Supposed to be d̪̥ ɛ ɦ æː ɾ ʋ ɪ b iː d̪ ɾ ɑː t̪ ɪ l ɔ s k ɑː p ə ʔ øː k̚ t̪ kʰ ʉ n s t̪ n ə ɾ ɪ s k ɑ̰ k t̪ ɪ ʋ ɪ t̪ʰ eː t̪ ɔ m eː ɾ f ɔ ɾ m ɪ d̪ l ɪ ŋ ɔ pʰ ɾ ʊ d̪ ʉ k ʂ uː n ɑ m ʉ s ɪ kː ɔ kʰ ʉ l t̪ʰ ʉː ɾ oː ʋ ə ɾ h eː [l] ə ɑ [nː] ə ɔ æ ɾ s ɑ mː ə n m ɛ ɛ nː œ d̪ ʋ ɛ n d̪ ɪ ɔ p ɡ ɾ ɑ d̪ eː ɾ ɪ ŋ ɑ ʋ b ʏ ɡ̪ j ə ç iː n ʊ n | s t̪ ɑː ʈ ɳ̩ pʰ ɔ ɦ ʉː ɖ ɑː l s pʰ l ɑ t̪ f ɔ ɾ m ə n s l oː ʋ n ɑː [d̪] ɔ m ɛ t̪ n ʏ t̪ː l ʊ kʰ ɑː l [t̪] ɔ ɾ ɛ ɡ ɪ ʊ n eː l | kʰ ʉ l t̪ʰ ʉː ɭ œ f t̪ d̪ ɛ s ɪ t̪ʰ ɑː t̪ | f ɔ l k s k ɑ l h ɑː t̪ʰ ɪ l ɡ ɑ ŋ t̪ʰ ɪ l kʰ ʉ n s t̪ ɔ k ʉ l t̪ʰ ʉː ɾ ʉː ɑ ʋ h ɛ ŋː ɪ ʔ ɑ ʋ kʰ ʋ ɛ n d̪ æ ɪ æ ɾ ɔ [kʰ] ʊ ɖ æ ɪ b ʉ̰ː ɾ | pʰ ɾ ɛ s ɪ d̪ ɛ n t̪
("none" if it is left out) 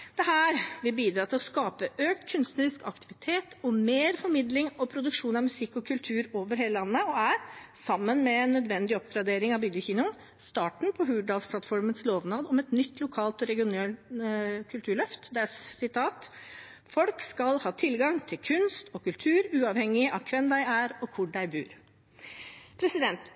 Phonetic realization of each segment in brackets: l, nː, d̪, t̪, kʰ

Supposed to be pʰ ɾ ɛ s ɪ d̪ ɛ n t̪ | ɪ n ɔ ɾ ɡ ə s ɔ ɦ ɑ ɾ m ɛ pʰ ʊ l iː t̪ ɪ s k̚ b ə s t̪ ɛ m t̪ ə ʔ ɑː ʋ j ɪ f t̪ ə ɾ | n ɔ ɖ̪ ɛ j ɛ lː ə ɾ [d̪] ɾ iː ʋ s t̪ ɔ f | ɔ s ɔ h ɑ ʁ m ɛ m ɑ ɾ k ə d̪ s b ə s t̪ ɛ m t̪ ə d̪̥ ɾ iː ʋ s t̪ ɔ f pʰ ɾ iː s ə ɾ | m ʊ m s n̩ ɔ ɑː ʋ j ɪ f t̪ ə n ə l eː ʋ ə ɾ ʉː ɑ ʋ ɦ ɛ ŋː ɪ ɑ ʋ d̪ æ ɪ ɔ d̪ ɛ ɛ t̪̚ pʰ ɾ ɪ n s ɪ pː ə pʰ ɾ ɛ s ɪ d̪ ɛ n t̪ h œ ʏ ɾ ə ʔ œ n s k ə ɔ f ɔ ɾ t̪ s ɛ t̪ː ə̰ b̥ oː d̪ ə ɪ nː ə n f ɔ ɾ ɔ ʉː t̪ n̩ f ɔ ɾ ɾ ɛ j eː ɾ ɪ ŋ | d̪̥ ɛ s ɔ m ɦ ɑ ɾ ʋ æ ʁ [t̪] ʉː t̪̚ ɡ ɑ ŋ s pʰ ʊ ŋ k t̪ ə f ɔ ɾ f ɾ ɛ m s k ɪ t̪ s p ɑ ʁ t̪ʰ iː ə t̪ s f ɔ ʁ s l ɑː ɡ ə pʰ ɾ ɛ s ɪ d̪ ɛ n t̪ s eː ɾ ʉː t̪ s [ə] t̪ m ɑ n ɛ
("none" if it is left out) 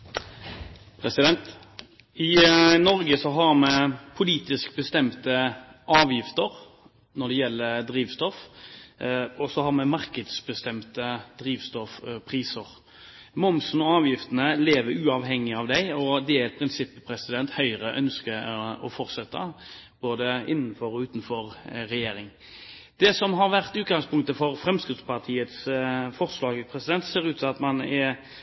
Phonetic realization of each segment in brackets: d̪, t̪, ɑ

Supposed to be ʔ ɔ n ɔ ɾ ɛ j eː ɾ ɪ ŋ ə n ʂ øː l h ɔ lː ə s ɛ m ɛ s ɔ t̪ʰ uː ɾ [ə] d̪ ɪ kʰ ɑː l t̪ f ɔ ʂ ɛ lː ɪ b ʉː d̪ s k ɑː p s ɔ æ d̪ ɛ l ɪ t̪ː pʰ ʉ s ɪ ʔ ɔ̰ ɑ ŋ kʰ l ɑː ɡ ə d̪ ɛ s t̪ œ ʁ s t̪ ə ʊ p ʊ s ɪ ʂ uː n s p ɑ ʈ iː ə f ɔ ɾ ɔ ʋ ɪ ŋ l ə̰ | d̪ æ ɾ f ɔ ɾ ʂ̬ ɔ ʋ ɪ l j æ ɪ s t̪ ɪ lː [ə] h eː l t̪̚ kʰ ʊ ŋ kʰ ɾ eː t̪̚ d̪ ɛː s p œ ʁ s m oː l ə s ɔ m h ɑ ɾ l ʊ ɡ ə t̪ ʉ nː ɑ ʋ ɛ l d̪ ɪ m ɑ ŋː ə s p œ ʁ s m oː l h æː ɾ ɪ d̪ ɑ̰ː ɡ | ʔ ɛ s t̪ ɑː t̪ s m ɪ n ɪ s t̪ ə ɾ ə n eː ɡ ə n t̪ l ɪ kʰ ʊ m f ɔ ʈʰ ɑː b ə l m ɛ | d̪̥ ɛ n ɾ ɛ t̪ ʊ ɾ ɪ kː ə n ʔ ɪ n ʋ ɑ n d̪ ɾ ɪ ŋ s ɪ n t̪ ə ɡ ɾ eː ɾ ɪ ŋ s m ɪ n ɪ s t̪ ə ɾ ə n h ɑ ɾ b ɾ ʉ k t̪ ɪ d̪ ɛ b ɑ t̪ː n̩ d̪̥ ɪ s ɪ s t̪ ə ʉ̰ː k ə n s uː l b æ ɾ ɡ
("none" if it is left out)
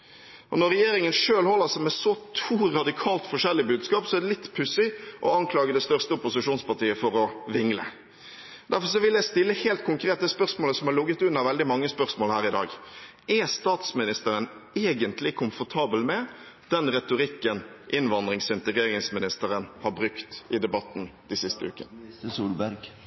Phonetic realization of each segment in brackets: ɑ, ə

